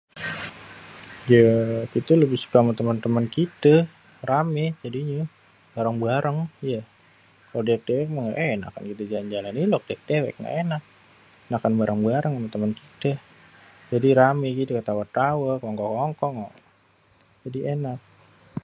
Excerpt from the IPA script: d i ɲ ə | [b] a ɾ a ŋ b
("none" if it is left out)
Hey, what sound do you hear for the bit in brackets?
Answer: b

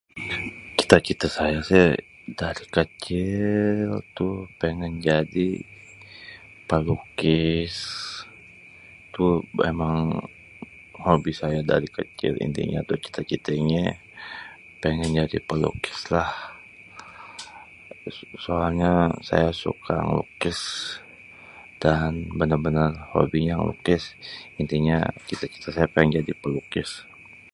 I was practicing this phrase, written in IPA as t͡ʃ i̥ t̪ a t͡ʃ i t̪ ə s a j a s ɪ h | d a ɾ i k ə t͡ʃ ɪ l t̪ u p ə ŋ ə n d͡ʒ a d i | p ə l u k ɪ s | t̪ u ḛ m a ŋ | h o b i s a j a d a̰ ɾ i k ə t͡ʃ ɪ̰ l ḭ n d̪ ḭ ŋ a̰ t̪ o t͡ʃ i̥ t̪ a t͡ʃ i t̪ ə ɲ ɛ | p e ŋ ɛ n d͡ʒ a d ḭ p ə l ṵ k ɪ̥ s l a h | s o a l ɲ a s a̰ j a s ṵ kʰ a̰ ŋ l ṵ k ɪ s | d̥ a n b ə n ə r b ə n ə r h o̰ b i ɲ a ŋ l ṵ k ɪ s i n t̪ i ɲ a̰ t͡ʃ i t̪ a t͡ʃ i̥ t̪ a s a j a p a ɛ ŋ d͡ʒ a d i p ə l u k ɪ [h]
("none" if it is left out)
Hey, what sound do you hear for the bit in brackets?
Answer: s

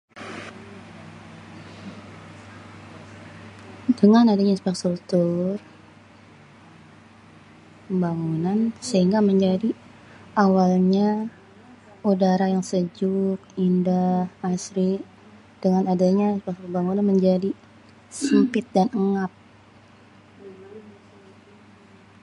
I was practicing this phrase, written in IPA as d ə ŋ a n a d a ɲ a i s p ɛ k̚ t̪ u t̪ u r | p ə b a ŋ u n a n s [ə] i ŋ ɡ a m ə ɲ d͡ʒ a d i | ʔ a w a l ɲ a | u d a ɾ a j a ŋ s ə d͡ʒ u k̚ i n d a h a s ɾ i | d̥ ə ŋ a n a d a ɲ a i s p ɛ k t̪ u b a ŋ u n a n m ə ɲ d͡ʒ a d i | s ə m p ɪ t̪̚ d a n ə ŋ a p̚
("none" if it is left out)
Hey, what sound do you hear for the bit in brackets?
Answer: ə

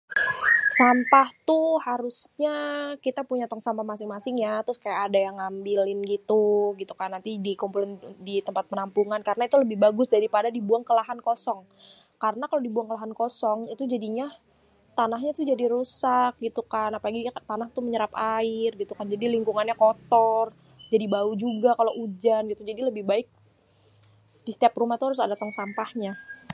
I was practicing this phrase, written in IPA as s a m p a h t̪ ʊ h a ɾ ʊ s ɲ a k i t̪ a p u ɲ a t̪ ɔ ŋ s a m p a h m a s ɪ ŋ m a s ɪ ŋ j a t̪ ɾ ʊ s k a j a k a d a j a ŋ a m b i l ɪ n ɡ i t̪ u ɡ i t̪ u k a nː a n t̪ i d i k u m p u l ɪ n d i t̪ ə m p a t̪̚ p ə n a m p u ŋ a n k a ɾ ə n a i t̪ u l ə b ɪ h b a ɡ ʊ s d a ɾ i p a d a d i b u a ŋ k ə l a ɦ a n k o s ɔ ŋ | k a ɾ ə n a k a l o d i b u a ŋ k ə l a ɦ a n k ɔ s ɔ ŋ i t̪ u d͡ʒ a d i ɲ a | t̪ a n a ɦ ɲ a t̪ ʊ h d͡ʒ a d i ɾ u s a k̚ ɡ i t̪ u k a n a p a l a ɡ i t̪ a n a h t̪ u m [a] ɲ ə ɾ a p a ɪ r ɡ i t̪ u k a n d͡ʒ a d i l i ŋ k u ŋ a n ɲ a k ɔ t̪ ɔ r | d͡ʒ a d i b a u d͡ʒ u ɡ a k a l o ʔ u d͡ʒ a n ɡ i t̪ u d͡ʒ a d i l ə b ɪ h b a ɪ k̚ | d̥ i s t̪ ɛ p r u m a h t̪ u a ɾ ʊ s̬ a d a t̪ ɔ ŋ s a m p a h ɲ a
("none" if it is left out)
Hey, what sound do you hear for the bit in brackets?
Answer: ə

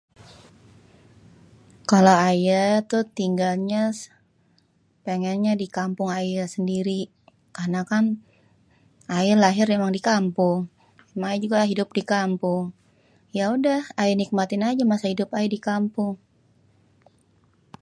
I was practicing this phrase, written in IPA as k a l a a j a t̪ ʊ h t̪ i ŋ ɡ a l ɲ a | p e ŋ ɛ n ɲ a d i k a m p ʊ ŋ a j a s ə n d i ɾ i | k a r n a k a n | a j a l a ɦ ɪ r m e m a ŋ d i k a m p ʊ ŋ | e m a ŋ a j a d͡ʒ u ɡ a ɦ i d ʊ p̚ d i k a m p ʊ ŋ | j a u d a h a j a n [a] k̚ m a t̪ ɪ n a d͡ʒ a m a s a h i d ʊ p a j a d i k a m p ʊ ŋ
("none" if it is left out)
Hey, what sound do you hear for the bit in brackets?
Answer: i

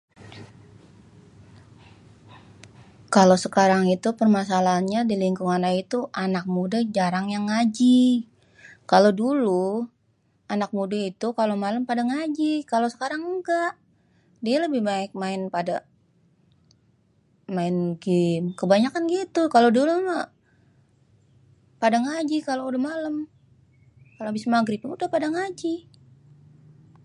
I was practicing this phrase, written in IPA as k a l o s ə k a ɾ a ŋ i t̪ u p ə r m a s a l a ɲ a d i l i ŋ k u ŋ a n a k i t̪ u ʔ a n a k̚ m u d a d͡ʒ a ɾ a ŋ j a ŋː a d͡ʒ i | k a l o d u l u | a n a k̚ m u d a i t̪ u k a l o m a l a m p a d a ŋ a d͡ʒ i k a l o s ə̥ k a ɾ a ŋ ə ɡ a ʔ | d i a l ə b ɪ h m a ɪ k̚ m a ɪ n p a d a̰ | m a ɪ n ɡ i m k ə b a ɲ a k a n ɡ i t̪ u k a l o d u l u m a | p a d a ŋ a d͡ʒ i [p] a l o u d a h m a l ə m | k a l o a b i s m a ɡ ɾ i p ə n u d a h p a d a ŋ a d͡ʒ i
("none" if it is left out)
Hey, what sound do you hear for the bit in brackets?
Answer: k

